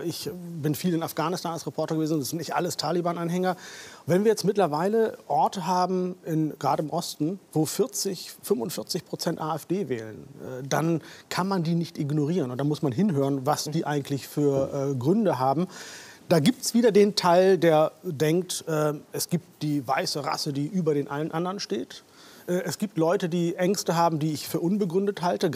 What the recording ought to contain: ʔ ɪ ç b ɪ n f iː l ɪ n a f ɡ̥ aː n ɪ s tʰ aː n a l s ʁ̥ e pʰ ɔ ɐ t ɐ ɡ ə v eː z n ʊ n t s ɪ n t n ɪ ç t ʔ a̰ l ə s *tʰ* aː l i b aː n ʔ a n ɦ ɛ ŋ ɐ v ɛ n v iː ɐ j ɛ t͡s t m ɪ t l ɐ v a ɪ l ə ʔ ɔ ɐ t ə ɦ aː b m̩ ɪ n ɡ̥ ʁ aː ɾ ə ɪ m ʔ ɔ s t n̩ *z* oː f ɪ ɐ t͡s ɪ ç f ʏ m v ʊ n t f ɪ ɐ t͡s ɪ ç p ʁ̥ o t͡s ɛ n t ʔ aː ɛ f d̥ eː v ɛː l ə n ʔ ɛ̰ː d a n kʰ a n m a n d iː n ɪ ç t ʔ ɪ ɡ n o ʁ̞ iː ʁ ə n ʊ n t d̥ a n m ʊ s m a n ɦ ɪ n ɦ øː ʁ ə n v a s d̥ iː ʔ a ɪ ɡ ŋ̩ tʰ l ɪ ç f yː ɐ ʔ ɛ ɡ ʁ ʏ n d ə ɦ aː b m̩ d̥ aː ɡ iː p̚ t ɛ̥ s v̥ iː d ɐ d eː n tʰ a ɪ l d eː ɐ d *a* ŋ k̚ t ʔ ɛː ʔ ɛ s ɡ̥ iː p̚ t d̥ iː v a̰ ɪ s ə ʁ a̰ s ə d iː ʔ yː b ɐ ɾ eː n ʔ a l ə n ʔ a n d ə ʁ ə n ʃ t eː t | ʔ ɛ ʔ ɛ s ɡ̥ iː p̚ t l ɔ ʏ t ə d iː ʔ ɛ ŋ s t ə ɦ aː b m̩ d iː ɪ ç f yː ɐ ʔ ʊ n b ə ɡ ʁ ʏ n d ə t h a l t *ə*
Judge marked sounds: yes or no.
yes, no, no, yes

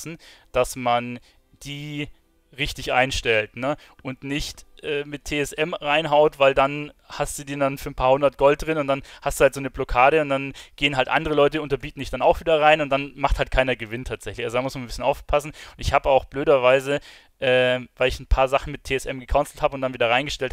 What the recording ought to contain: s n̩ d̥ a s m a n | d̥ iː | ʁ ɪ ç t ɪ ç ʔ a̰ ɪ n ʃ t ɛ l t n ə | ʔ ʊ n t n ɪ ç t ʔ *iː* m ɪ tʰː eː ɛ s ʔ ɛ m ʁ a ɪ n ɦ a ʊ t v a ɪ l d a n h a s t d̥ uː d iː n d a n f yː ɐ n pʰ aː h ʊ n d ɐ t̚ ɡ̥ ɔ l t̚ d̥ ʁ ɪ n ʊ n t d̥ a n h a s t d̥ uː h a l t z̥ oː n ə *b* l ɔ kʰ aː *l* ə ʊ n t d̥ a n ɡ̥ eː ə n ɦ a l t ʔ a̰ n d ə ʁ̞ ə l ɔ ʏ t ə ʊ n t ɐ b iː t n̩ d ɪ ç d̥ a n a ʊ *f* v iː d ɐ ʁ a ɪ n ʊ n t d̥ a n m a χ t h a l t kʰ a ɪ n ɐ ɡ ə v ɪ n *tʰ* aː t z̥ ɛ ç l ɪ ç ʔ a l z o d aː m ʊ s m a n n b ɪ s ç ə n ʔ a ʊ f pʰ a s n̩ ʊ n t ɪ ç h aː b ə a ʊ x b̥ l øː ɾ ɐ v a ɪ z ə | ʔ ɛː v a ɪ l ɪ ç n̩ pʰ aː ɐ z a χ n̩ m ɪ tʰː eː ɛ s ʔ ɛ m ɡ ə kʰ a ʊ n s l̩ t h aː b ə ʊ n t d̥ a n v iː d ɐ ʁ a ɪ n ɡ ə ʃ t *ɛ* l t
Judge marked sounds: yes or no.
no, yes, no, no, yes, yes

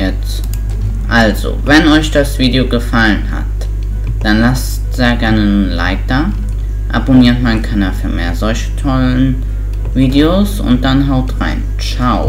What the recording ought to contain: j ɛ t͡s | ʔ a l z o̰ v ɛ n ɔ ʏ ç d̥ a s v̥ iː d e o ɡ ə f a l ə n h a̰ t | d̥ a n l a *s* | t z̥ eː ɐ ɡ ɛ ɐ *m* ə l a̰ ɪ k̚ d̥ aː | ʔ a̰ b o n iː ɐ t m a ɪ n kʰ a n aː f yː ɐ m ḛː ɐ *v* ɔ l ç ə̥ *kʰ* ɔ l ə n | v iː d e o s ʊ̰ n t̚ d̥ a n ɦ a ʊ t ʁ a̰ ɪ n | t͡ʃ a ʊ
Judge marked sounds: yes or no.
yes, no, no, no

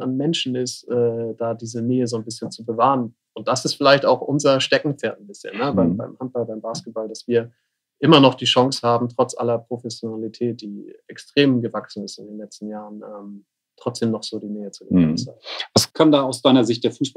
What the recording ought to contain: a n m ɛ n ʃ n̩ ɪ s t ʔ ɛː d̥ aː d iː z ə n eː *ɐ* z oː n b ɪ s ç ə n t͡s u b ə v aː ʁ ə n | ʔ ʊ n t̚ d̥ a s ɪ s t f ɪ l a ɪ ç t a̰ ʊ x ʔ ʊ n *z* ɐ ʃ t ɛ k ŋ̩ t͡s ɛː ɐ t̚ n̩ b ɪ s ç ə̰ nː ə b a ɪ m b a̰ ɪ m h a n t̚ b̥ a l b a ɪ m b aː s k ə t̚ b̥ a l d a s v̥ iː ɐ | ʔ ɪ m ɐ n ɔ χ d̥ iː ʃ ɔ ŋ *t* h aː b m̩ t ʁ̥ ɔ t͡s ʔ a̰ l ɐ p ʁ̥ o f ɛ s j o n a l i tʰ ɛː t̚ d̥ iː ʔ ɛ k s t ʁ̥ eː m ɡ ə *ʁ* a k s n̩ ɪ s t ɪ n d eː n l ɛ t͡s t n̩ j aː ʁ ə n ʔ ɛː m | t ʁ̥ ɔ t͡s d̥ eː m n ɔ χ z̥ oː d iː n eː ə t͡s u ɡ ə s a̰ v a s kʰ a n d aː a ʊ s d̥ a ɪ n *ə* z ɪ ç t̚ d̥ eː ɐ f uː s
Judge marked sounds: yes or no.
no, yes, no, no, no

